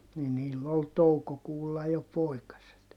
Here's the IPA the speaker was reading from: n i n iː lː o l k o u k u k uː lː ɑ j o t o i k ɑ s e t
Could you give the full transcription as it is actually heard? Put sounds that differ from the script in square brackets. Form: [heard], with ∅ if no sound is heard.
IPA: n i n iː lː o l [t] o u k [o] k uː lː ɑ j o [p] o i k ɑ s e t